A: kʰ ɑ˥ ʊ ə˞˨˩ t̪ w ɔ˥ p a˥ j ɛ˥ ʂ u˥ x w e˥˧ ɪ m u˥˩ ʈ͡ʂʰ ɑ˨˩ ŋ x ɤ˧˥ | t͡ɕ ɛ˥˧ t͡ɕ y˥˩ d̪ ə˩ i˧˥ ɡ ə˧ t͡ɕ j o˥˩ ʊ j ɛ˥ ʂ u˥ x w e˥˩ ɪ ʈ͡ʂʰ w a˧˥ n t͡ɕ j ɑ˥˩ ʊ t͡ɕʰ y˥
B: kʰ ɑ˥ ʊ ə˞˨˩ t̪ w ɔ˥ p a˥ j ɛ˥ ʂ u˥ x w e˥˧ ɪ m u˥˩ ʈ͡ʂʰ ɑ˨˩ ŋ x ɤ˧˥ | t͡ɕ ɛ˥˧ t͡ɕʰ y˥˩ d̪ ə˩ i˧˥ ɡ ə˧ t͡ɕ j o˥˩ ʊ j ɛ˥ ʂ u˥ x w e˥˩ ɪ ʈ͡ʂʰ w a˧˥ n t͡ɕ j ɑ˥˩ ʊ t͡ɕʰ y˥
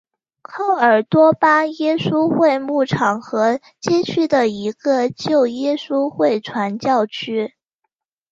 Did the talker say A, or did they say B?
B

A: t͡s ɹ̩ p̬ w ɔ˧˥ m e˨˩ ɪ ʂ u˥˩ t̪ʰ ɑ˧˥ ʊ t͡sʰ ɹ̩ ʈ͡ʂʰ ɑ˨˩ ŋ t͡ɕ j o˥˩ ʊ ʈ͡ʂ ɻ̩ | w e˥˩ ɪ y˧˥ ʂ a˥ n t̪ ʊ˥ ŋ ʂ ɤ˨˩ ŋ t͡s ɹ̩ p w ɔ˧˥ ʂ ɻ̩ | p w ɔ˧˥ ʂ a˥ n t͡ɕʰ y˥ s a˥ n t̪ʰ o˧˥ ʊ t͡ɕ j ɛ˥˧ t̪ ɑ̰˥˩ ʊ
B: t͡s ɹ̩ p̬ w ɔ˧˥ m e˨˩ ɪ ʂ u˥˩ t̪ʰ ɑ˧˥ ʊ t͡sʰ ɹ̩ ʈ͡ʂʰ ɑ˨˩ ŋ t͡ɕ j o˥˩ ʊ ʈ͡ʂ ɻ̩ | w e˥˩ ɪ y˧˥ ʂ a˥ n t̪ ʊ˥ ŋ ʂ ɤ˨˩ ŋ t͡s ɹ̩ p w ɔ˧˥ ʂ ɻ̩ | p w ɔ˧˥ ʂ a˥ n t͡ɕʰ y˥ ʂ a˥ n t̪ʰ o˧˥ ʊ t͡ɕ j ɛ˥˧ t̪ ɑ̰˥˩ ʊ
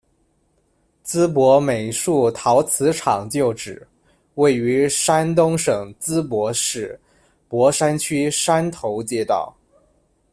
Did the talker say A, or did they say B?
B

